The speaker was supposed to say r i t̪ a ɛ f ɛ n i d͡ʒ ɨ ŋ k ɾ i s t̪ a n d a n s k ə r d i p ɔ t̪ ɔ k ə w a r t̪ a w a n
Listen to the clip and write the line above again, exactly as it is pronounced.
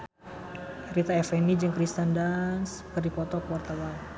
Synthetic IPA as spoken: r i t̪ a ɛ f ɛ n i d͡ʒ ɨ ŋ k ɾ i s t̪ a n d a n s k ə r d i p ɔ t̪ ɔ k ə w a r t̪ a w a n

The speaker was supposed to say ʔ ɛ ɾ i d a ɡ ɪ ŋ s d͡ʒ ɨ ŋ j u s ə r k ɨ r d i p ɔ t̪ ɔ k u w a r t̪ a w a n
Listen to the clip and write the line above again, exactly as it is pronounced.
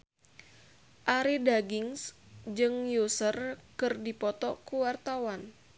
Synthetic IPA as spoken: ʔ a ɾ i d a ɡ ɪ ŋ s d͡ʒ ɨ ŋ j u s ə r k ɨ r d i p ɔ t̪ ɔ k u w a r t̪ a w a n

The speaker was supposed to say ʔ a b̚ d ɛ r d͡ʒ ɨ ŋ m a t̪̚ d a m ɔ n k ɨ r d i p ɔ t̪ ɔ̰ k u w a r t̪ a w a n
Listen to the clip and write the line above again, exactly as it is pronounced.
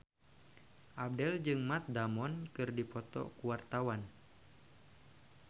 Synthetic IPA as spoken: ʔ a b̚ d ɛ l d͡ʒ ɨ ŋ m a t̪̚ d a m ɔ n k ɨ r d i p ɔ t̪ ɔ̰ k u w a r t̪ a w a n

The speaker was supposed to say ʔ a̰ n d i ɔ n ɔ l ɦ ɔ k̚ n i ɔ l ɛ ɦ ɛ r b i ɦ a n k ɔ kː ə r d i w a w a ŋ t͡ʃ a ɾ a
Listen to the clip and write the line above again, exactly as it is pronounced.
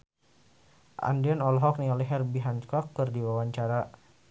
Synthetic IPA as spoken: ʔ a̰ n d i ɔ n ɔ l ɦ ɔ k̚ n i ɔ l ɛ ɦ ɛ r b i ɦ a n k ɔ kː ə r d i w a w a ɲ t͡ʃ a ɾ a

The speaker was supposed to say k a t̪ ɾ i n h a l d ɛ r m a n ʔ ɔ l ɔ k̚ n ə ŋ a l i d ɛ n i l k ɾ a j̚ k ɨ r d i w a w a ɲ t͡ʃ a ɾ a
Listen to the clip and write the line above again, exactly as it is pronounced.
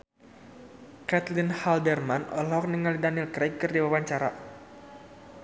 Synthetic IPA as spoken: k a t̪ l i n h a l d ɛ r m a n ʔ ɔ l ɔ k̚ n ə ŋ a l i d a n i l k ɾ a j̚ k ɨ r d i w a w a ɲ t͡ʃ a ɾ a

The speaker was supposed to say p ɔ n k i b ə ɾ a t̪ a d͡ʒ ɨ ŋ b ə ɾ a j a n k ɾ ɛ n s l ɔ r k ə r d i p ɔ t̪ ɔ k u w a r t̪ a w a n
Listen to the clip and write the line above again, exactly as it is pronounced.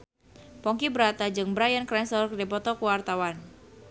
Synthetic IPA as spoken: p ɔ ŋ k i b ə ɾ a t̪ a d͡ʒ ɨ ŋ b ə ɾ a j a n k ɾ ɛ n s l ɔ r k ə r d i p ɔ t̪ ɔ k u w a r t̪ a w a n

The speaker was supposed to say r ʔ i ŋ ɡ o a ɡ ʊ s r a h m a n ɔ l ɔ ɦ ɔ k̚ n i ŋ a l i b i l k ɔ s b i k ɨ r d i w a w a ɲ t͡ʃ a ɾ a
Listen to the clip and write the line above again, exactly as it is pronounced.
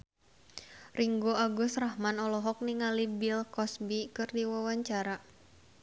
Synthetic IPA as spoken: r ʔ i ŋ ɡ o a ɡ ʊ s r a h m a n ɔ l ɔ ɦ ɔ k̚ n i ŋ a l i b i l k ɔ s b i k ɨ r d i w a w a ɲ t͡ʃ a ɾ a

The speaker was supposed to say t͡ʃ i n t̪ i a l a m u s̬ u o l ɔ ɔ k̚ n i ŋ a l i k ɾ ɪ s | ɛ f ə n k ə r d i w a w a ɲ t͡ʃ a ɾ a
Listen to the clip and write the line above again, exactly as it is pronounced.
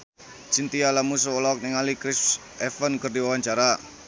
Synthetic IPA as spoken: t͡ʃ i n t̪ i a l a m u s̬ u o l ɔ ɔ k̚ n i ŋ a l i k ɾ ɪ s | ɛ f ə n k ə r d i w a w a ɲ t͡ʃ a ɾ a

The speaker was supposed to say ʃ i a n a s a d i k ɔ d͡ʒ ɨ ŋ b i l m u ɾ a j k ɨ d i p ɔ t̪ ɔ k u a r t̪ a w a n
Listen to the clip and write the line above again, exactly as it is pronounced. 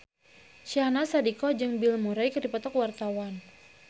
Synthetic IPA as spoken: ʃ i a n a s a d i k ɔ d͡ʒ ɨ ŋ b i l m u ɾ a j k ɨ d i p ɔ t̪ ɔ k w a r t̪ a w a n

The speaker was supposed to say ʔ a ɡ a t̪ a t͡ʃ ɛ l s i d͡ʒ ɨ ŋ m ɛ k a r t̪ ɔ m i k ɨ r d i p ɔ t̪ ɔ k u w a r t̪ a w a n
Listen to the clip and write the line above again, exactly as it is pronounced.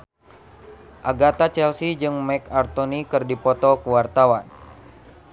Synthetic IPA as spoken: ʔ a ɡ a t̪ a t͡ʃ ɛ l s i d͡ʒ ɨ ŋ m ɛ k a r t̪ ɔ n i k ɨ r d i p ɔ t̪ ɔ k u w a r t̪ a w a n

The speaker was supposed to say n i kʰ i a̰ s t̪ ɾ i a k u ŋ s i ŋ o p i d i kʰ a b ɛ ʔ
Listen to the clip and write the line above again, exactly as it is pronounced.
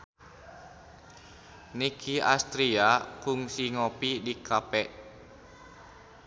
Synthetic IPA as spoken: n i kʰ i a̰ s t̪ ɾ i a k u ŋ s i ŋ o p i d i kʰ a p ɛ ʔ

